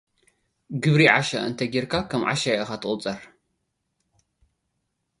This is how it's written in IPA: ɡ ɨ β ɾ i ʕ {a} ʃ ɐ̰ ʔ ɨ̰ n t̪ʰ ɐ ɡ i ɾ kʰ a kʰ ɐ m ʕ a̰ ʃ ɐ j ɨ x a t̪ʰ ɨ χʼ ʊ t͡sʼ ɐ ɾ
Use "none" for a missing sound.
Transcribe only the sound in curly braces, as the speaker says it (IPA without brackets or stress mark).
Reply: a